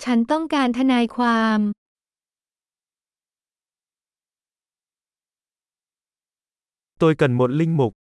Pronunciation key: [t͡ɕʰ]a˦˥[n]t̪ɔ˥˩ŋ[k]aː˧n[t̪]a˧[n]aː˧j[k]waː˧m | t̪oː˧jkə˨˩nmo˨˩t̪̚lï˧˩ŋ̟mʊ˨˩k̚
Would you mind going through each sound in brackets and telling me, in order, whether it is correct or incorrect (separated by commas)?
correct, correct, correct, incorrect, correct, incorrect